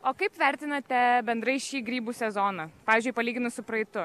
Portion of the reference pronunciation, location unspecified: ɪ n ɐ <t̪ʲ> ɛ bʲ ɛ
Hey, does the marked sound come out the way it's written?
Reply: yes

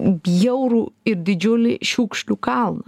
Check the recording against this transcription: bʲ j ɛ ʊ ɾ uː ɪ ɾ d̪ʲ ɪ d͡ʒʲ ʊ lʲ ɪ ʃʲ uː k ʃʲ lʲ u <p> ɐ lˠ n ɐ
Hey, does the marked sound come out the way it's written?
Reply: no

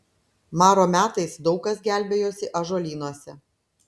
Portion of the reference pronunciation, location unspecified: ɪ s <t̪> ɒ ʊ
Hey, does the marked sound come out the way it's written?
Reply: no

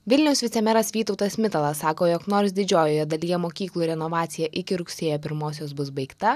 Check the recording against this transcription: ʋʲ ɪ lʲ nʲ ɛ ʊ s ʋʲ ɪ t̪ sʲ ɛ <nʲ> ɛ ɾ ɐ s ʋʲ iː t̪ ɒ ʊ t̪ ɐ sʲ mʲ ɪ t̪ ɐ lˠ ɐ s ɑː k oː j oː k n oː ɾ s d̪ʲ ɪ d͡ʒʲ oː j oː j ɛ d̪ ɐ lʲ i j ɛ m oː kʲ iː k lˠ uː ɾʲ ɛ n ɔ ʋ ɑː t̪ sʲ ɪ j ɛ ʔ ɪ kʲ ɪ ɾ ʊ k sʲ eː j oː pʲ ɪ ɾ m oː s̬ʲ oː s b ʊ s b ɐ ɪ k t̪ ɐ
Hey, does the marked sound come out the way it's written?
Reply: no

